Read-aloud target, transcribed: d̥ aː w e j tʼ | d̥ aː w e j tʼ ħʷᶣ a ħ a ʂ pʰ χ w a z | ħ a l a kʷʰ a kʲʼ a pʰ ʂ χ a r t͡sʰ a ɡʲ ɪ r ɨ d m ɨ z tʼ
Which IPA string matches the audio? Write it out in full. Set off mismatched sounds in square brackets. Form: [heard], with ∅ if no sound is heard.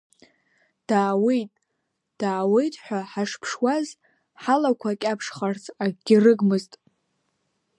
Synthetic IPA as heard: d̥ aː w e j tʼ | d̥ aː w e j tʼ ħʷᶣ a ħ a ʂ pʰ [ʂ] w a z | ħ a l a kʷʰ a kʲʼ a pʰ ʂ χ a r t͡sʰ a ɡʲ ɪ r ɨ [ɡ] m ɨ z tʼ